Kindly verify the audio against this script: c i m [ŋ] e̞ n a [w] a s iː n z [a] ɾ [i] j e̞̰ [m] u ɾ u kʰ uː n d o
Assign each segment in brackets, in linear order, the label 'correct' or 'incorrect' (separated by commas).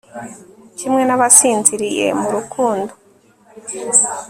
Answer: correct, incorrect, incorrect, correct, correct